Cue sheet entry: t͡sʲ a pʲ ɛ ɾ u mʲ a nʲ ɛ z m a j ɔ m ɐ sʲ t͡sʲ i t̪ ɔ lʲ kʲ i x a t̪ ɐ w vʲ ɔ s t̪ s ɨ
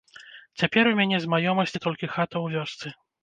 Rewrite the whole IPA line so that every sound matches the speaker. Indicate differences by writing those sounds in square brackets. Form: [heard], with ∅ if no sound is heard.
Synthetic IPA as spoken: t͡sʲ a pʲ ɛ ɾ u mʲ a nʲ ɛ z m a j ɔ m ɐ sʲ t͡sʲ i t̪ ɔ lʲ kʲ i x a t̪ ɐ w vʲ ɔ s t̪ s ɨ